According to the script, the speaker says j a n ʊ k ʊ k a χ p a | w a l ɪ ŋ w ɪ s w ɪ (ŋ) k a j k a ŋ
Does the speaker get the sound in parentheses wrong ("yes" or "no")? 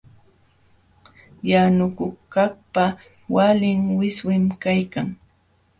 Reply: yes